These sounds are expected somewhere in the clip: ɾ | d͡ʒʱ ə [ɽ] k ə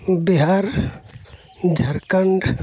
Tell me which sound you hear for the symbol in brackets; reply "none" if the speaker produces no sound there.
ɾ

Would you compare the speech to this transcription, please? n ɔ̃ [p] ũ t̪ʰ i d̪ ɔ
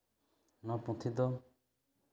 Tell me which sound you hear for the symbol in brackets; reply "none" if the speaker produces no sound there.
p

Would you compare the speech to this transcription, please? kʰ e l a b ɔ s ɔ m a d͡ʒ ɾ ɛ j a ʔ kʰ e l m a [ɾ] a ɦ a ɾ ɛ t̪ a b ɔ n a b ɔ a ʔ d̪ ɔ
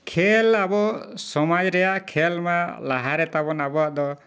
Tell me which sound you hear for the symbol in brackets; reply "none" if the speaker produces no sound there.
l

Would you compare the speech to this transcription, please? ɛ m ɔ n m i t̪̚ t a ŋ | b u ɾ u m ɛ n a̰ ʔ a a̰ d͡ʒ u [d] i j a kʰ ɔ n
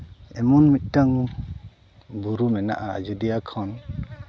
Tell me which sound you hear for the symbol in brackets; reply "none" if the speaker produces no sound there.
d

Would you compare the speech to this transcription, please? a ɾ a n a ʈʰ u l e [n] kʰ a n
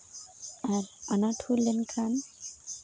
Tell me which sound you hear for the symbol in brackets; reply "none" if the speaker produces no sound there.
n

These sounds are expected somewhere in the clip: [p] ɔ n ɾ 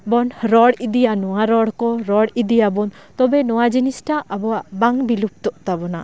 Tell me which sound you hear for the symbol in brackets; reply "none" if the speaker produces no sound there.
b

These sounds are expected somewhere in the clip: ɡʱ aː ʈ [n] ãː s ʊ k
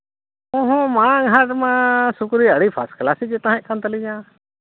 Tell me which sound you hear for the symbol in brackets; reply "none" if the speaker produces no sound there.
m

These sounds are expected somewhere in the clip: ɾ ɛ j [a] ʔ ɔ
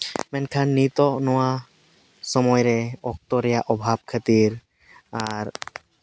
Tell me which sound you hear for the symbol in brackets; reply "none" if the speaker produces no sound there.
a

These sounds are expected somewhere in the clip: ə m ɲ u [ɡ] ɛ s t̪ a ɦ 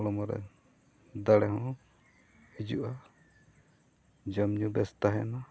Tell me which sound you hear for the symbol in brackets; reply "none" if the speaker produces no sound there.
b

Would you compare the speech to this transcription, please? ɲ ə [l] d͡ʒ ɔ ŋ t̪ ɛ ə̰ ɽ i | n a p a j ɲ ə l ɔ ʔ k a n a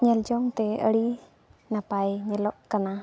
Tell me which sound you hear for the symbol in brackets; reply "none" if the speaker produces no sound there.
l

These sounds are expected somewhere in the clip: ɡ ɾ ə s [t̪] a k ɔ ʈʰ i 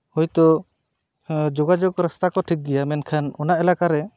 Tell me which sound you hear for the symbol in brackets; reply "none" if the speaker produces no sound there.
t̪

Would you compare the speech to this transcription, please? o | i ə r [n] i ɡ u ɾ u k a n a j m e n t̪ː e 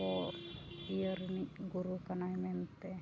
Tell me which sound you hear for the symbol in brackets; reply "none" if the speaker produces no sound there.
n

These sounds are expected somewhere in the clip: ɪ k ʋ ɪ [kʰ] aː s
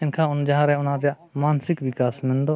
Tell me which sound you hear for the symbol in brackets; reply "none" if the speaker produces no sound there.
k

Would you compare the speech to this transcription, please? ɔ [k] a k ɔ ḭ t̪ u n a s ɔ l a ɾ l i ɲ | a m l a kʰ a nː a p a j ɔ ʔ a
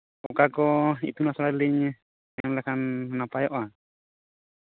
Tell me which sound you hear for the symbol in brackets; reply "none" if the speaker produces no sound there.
k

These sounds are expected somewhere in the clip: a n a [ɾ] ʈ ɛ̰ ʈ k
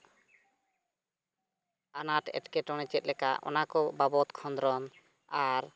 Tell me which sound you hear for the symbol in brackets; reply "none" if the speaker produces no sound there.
none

